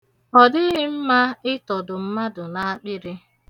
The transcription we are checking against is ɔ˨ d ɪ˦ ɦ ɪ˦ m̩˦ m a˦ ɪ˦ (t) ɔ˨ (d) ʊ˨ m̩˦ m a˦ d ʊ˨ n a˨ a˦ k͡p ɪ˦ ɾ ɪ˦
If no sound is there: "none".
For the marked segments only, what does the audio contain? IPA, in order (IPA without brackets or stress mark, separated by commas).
t, d